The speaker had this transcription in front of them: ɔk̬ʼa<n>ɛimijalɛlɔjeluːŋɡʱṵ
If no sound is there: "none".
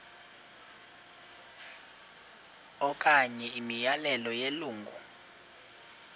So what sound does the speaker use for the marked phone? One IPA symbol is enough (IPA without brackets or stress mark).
ɲ